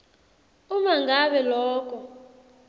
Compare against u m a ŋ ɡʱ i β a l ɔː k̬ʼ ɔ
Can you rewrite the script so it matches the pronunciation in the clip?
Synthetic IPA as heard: u m a ŋ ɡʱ a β ɛ l ɔː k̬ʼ ɔ